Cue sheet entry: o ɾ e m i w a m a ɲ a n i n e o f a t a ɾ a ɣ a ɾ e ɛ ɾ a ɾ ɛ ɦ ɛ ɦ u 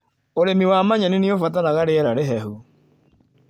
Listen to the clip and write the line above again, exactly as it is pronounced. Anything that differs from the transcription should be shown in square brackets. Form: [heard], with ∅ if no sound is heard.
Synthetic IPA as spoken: o ɾ e m i w a m a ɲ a n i n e o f a t a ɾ a ɣ a ɾ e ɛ ɾ a ɾ [e] ɦ ɛ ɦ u